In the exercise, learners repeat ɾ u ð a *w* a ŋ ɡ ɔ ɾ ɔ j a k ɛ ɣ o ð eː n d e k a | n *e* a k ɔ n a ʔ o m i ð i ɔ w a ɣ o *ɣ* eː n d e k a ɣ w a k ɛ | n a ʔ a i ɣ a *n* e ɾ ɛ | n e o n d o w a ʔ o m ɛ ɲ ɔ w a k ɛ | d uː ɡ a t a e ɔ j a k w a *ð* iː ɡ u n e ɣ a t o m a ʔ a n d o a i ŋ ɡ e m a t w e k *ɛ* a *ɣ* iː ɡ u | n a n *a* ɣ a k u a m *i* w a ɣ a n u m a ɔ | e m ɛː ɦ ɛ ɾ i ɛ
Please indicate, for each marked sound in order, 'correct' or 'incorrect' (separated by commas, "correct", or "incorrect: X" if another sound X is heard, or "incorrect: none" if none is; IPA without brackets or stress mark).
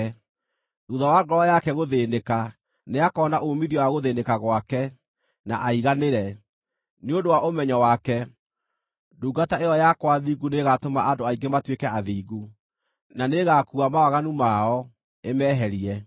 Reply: correct, correct, incorrect: ð, correct, correct, correct, incorrect: ð, incorrect: e, incorrect: a